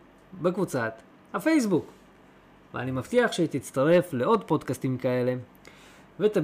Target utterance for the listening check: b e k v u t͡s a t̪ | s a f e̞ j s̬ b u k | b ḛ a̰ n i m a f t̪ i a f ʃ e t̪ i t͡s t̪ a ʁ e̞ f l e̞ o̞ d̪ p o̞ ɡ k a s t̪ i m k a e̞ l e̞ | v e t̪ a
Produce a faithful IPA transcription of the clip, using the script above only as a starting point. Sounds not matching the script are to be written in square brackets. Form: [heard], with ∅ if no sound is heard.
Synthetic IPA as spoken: b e k v u t͡s a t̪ | [h] a f e̞ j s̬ b u k | [v] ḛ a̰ n i m a f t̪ i a [χ] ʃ e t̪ i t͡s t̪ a ʁ e̞ f l e̞ o̞ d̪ p o̞ [d] k a s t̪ i m k a e̞ l e̞ | v e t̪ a